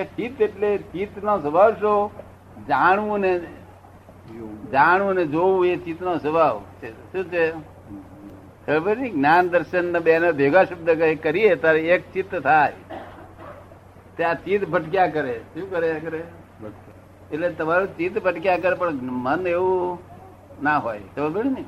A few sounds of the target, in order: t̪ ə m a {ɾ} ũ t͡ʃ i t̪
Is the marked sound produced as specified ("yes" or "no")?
yes